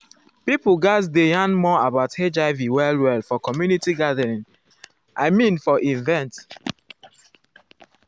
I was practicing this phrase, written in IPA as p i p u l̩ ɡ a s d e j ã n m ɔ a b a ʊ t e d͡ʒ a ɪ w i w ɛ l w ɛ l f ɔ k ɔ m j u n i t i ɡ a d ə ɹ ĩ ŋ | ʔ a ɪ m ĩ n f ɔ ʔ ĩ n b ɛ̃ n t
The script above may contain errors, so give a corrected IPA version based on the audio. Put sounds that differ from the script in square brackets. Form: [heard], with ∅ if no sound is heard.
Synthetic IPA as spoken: p i p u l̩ ɡ a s d e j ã n m ɔ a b a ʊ t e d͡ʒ a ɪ [v] i w ɛ l w ɛ l f ɔ k ɔ m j u n i t i ɡ a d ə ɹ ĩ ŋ | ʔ a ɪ m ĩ n f ɔ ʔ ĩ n [v] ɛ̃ n t